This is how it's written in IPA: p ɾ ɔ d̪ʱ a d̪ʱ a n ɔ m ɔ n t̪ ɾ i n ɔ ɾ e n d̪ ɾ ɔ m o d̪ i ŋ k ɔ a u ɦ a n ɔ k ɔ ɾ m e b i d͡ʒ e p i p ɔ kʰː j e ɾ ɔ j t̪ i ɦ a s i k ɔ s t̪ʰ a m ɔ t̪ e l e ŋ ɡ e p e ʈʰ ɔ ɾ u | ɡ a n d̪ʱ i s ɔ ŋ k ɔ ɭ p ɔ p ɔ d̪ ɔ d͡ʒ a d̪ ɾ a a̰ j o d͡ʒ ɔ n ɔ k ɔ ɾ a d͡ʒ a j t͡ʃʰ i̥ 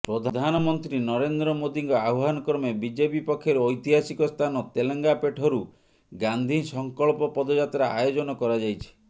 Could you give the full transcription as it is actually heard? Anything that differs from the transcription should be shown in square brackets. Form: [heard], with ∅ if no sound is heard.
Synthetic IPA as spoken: p ɾ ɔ d̪ʱ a d̪ʱ a n ɔ m ɔ n t̪ ɾ i n ɔ ɾ e n d̪ ɾ ɔ m o d̪ i ŋ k ɔ a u ɦ a n ɔ k ɔ ɾ m e b i d͡ʒ e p i p ɔ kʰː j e ɾ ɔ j t̪ i ɦ a s i k ɔ s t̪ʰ a [n] ɔ t̪ e l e ŋ ɡ [a] p e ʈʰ ɔ ɾ u | ɡ a n d̪ʱ i s ɔ ŋ k ɔ ɭ p ɔ p ɔ d̪ ɔ d͡ʒ a [t̪] ɾ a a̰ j o d͡ʒ ɔ n ɔ k ɔ ɾ a d͡ʒ a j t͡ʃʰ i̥